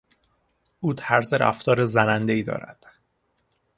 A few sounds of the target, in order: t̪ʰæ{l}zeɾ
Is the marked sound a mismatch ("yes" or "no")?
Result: yes